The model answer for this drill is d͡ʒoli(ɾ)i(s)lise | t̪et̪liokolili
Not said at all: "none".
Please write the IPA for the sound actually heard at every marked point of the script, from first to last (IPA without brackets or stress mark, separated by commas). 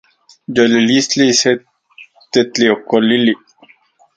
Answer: l, s